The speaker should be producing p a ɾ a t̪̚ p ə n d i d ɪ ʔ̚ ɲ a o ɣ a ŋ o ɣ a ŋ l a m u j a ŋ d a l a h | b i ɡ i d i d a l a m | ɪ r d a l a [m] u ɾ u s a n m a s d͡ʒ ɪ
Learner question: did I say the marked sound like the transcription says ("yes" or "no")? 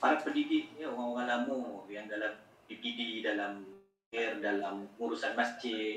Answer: yes